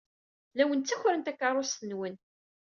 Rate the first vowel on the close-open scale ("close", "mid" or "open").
open